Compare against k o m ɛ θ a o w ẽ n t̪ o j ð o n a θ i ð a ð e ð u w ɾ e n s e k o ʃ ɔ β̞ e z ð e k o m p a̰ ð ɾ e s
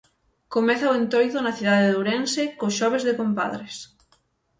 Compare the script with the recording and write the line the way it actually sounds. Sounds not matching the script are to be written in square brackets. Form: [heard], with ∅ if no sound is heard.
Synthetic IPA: k o m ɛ θ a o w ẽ n t̪ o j ð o n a θ i ð a ð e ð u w ɾ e n s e k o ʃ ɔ β̞ e z ð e k o m p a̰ ð ɾ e s